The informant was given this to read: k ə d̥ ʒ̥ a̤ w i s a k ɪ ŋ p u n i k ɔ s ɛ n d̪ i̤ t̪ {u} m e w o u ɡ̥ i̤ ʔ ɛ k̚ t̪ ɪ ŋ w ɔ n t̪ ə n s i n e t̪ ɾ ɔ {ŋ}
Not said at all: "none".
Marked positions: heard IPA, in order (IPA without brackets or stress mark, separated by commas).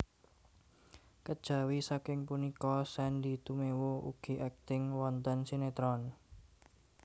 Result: u, n